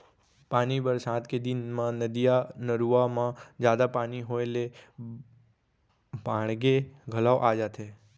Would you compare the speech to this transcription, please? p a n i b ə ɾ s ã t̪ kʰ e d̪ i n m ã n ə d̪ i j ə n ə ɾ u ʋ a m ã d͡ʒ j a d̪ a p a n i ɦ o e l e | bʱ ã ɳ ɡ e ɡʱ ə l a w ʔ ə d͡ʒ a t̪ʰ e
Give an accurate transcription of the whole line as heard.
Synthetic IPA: p a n i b ə ɾ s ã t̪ k e d̪ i n m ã n ə d̪ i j a n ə ɾ u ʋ a m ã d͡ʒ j a d̪ a p a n i ɦ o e l e | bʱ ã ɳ ɡ e ɡʱ ə l a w ʔ a d͡ʒ a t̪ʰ e